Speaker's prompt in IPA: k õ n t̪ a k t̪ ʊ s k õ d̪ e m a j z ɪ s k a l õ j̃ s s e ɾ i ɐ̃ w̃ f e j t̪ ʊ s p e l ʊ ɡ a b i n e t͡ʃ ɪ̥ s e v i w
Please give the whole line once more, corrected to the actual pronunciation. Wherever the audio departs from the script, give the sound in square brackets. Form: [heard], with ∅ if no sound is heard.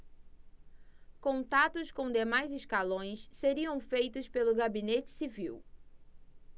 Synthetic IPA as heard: k õ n t̪ a [∅] t̪ ʊ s k õ d̪ e m a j z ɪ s k a l õ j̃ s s e ɾ i ɐ̃ w̃ f e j t̪ ʊ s p e l ʊ ɡ a b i n e t͡ʃ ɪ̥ s [i] v i w